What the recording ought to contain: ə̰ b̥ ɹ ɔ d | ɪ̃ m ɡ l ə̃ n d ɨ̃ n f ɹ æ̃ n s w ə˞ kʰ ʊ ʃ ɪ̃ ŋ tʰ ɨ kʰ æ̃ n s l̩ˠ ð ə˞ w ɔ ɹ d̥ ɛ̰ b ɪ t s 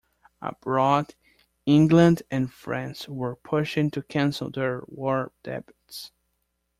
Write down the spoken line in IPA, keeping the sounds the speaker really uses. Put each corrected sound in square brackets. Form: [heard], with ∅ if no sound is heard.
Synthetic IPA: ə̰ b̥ ɹ ɔ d | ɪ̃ [ŋ] ɡ l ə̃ n d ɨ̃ n f ɹ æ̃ n s w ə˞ [pʰ] ʊ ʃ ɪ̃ ŋ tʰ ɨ kʰ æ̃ n s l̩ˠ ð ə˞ w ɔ ɹ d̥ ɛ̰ b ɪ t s